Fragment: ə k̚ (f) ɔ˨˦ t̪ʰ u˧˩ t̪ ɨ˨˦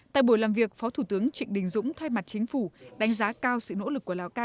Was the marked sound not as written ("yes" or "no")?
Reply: no